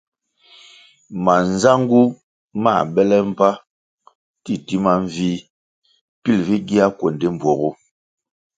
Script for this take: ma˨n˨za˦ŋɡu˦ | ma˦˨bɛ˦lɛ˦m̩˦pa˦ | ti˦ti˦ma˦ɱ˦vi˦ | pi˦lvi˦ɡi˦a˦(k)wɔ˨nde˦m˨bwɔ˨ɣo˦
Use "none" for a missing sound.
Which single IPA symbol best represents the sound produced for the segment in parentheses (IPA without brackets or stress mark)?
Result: k